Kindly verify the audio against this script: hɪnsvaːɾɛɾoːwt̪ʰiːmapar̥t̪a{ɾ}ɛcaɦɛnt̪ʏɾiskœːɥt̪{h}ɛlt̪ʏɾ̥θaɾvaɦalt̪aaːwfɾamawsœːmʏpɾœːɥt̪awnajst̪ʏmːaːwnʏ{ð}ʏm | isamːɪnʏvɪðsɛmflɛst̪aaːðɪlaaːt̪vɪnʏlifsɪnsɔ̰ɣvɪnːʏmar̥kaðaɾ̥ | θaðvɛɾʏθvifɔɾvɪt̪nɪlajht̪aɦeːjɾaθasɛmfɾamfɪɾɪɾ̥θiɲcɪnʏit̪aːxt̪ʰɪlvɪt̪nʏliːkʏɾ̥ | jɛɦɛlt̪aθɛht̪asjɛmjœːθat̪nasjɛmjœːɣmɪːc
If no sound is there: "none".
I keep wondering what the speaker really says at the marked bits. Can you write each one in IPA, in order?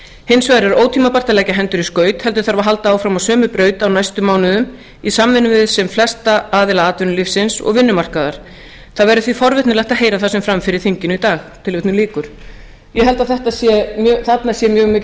l, h, ð

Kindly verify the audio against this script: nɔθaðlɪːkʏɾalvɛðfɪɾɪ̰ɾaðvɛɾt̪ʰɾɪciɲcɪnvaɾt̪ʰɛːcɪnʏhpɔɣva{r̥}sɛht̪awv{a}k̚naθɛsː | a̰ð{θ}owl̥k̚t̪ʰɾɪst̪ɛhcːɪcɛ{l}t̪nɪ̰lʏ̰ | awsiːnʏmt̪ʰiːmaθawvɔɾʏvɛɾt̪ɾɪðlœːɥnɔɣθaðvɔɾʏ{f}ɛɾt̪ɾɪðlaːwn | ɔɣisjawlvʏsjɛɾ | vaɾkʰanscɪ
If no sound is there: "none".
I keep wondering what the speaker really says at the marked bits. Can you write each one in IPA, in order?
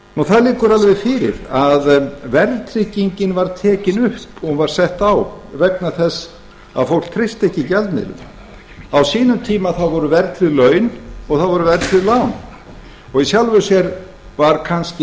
ɾ̥, ɛ, f, l, v

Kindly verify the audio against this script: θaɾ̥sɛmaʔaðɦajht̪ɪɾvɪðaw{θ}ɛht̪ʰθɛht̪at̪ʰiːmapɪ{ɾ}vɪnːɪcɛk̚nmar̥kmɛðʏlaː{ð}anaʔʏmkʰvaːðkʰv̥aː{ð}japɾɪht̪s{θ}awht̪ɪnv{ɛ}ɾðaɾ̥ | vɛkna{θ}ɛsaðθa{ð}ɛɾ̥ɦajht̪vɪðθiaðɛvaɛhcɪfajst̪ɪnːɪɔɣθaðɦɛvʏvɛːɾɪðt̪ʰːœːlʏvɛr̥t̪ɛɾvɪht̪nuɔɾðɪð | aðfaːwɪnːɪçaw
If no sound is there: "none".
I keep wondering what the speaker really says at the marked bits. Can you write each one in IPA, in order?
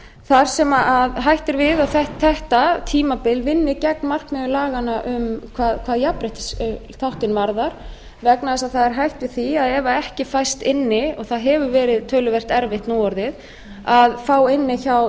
θ, l, ɣ, ð, θ, a, ð, ð

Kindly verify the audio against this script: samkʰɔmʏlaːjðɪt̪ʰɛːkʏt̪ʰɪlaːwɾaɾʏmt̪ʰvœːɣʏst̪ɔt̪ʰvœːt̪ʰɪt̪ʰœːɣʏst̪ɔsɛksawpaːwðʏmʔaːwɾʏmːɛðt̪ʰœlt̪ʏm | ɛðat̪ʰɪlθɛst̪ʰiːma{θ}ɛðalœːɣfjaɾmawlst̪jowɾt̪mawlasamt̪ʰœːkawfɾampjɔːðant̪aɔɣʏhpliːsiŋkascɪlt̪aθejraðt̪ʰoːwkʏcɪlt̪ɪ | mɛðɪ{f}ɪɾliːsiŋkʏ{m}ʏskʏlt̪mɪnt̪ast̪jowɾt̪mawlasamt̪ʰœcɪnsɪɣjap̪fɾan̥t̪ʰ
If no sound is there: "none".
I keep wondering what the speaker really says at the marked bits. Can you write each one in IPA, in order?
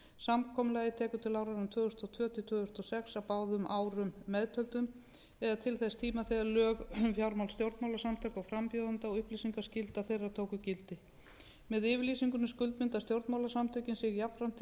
θ, v, n

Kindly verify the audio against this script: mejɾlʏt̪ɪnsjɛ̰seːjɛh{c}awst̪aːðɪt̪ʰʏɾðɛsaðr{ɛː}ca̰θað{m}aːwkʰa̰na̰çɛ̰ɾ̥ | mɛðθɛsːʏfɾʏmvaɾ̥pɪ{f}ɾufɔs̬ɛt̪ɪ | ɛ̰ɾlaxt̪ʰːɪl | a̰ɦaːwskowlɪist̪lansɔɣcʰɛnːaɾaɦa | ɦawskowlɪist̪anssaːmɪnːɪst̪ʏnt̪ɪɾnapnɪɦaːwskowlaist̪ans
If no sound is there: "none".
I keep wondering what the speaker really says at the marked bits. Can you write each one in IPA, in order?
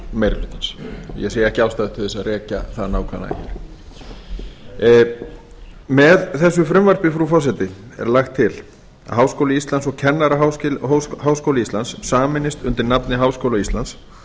c, ɛː, n, f

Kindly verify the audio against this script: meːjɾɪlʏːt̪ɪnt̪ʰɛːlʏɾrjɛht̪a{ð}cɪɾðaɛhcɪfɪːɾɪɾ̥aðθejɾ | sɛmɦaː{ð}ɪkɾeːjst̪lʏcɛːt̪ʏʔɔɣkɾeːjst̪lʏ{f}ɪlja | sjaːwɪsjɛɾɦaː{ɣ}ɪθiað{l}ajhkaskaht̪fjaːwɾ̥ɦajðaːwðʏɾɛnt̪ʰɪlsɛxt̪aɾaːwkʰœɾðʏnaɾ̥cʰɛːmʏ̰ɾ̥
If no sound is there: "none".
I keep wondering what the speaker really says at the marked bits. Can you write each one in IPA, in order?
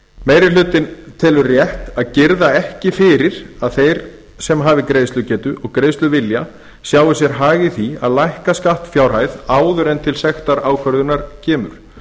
ð, v, v, ɣ, l

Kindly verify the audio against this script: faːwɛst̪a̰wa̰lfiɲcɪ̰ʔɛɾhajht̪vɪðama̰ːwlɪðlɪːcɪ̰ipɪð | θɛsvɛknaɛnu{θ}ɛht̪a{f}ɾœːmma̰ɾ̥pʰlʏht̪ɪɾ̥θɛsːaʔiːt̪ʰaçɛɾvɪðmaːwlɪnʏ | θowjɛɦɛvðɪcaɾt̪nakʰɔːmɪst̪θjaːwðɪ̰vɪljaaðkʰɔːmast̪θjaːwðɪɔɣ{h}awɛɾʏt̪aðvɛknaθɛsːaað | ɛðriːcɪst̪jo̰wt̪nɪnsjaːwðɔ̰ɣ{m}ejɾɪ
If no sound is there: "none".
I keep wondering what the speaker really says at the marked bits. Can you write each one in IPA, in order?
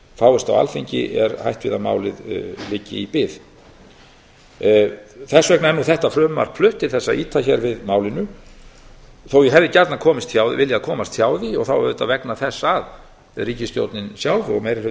θ, f, θ, m

